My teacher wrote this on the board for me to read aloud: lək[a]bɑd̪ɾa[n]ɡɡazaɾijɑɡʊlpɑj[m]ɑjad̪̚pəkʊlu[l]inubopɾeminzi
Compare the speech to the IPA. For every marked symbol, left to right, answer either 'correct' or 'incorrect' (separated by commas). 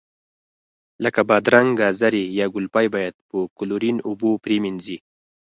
correct, incorrect, incorrect, incorrect